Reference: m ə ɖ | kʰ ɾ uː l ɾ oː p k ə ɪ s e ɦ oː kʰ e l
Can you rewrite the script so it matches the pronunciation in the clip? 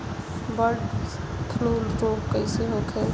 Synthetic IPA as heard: b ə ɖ | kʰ l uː l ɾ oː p k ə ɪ s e ɦ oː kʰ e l